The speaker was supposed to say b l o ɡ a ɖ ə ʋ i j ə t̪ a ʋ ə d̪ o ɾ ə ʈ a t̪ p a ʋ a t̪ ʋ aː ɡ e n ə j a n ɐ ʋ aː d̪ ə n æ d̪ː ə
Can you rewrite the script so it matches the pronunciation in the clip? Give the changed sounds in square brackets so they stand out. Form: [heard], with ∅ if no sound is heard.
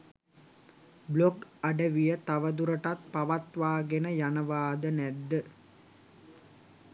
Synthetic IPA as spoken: b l o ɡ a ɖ ə ʋ i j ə t̪ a ʋ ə d̪ [u] ɾ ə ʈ a t̪ p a ʋ a t̪ ʋ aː ɡ e n ə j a n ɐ ʋ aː d̪ ə n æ d̪ː ə